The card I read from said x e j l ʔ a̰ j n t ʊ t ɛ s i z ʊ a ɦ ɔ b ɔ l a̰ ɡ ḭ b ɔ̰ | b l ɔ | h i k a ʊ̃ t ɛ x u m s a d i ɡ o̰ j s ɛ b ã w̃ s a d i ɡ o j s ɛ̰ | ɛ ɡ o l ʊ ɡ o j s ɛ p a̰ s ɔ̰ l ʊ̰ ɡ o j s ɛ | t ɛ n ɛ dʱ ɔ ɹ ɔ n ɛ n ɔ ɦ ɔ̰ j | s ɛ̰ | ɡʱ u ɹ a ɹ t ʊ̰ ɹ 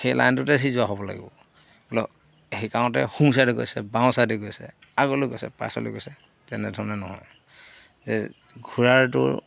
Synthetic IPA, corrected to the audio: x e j l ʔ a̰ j n t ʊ t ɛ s i z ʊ a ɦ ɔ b ɔ l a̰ ɡ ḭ b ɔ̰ | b l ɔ | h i k a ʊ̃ t ɛ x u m s a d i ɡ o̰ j s ɛ b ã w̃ s a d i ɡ o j s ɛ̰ | a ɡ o l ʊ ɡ o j s ɛ p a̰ s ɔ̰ l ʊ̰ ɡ o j s ɛ | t ɛ n ɛ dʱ ɔ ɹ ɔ n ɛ n ɔ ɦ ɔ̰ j | z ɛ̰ | ɡʱ u ɹ a ɹ t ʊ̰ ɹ

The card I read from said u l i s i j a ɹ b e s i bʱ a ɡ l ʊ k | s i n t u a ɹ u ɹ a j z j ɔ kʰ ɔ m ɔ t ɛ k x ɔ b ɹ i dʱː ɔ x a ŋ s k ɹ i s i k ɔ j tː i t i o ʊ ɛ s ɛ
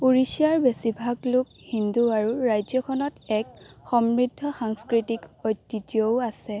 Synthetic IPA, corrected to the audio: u ɹ i s i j a ɹ b e s i bʱ a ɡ l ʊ k | h i n d u a ɹ u ɹ a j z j ɔ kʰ ɔ n ɔ t ɛ k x ɔ m ɹ i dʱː ɔ x a ŋ s k ɹ i t i k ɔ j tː i t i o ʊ a s ɛ

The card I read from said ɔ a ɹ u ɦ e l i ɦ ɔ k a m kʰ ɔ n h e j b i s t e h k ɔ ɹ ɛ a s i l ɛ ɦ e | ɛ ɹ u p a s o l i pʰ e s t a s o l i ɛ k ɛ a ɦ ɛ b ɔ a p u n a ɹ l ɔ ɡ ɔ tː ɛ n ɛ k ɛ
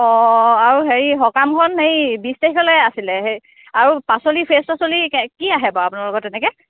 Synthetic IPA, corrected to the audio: ɔ a ɹ u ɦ e ɹ i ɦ ɔ k a m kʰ ɔ n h e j b i s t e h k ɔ l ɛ a s i l ɛ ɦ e | a ɹ u p a s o l i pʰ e s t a s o l i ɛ k i a ɦ ɛ b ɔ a p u n a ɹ l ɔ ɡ ɔ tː ɛ n ɛ k ɛ

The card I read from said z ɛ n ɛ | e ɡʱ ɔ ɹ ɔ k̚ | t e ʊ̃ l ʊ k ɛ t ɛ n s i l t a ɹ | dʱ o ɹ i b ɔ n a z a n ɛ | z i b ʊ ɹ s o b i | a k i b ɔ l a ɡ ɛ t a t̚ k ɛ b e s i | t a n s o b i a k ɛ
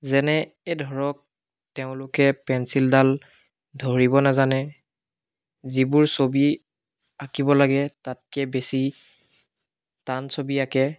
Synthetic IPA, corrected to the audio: z ɛ n ɛ | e dʱ ɔ ɹ ɔ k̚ | t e ʊ̃ l ʊ k ɛ p ɛ n s i l d a l | dʱ o ɹ i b ɔ n a z a n ɛ | z i b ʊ ɹ s o b i | a k i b ɔ l a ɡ ɛ t a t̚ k ɛ b e s i | t a n s o b i a k ɛ

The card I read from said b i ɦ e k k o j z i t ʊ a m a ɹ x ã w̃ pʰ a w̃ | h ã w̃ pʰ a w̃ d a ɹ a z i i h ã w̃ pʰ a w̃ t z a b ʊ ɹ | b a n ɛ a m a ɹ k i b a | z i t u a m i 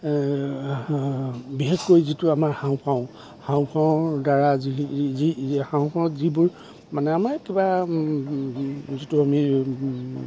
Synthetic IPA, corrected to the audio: b i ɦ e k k o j z i t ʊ a m a ɹ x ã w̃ pʰ a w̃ | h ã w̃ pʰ a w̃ d a ɹ a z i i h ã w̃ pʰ a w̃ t z i b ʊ ɹ | m a n ɛ a m a ɹ k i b a | z i t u a m i

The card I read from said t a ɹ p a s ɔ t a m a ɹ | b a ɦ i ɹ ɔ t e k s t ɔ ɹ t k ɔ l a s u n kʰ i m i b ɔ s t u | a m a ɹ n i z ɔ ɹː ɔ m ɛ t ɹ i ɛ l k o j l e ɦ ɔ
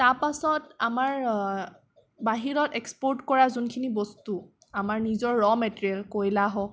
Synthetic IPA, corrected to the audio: t a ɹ p a s ɔ t a m a ɹ | b a ɦ i ɹ ɔ t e k s p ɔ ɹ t k ɔ ɹ a z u n kʰ i n i b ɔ s t u | a m a ɹ n i z ɔ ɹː ɔ m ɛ t ɹ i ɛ l k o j l a ɦ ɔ

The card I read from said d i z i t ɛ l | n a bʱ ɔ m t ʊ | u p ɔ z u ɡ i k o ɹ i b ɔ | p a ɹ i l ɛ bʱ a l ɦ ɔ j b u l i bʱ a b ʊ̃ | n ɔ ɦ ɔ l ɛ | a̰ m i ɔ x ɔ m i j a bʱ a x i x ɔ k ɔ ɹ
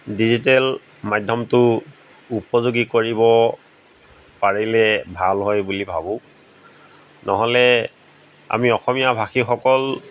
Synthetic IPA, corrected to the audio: d i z i t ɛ l | m a dʱ ɔ m t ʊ | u p ɔ z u ɡ i k o ɹ i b ɔ | p a ɹ i l ɛ bʱ a l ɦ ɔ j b u l i bʱ a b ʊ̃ | n ɔ ɦ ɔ l ɛ | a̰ m i ɔ x ɔ m i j a bʱ a x i x ɔ k ɔ l

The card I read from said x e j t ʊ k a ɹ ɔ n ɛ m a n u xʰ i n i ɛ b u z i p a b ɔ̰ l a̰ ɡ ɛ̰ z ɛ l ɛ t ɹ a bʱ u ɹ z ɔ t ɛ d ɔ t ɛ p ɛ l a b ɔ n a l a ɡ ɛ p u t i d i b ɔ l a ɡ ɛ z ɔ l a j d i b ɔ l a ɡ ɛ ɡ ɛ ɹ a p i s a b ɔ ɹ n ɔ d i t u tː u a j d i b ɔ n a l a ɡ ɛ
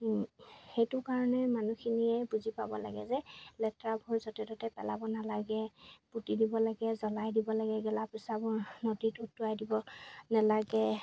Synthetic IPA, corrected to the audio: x e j t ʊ k a ɹ ɔ n ɛ m a n u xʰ i n i ɛ b u z i p a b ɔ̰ l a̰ ɡ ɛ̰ z ɛ l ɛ t ɹ a bʱ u ɹ z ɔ t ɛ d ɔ t ɛ p ɛ l a b ɔ n a l a ɡ ɛ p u t i d i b ɔ l a ɡ ɛ z ɔ l a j d i b ɔ l a ɡ ɛ ɡ ɛ l a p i s a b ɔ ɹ n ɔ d i t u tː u a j d i b ɔ n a l a ɡ ɛ

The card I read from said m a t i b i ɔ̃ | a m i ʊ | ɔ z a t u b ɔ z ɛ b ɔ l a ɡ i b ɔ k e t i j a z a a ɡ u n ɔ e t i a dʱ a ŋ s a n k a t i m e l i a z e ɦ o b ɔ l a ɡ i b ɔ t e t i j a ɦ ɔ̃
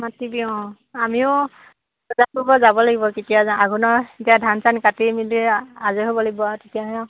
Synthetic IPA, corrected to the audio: m a t i b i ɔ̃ | a m i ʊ | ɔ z a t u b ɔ z a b ɔ l a ɡ i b ɔ k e t i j a z a a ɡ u n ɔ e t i a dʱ a n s a n k a t i m i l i a z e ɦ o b ɔ l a ɡ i b ɔ t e t i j a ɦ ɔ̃

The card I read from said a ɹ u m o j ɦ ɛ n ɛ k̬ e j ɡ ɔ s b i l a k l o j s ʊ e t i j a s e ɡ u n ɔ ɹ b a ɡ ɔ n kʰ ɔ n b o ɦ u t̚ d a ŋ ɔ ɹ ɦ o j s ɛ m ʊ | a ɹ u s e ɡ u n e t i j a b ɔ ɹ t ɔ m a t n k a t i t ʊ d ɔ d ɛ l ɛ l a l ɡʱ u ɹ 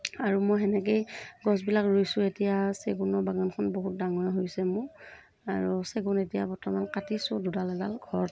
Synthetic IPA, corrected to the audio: a ɹ u m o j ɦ ɛ n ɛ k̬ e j ɡ ɔ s b i l a k ɹ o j s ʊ e t i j a s e ɡ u n ɔ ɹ b a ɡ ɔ n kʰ ɔ n b o ɦ u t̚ d a ŋ ɔ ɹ ɦ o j s ɛ m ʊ | a ɹ u s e ɡ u n e t i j a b ɔ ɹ t ɔ m a n k a t i s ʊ d u d a l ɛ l a l ɡʱ ɔ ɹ

